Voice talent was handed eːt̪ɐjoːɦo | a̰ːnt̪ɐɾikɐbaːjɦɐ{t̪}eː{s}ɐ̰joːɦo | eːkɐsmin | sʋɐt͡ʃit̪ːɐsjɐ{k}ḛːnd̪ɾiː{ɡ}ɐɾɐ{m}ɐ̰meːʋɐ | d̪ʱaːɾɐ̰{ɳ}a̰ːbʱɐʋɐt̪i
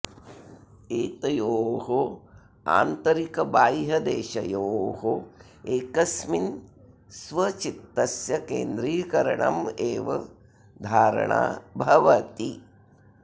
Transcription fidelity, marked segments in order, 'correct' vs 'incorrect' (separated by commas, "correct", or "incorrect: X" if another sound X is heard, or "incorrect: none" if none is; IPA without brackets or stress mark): incorrect: d̪, incorrect: ʃ, correct, incorrect: k, incorrect: ɳ, correct